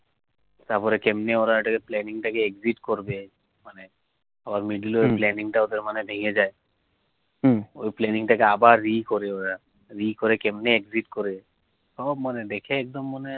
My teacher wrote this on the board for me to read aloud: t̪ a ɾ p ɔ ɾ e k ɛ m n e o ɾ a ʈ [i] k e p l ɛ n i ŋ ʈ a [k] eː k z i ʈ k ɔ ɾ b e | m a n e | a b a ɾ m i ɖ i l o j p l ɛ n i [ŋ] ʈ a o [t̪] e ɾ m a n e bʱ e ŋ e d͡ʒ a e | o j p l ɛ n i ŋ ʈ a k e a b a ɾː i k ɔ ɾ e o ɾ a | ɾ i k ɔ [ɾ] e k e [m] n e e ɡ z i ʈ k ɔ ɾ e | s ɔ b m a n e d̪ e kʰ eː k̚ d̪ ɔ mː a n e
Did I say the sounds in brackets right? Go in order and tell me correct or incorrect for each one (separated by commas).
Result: incorrect, correct, correct, incorrect, correct, correct